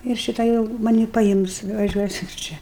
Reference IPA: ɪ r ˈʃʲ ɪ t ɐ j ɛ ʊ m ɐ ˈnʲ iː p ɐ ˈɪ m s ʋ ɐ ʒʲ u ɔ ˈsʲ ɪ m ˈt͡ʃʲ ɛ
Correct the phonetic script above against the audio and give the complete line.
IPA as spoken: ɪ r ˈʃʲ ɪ t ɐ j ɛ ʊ m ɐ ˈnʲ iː p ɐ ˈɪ m s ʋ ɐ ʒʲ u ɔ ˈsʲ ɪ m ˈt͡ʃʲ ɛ